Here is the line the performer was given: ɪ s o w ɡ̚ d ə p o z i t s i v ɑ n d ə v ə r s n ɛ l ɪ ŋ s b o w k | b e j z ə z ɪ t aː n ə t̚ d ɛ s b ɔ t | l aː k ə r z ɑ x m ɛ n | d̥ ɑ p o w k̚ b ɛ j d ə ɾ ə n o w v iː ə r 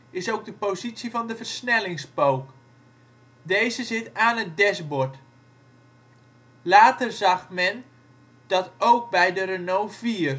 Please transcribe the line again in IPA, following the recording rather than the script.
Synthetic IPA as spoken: ɪ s o w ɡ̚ d ə p o z i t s i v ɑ n d ə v ə r s n ɛ l ɪ ŋ s p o w k | d e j z ə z ɪ t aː n ə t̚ d ɛ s b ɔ t | l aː t ə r z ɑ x m ɛ n | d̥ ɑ t o w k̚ b ɛ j d ə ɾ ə n o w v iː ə r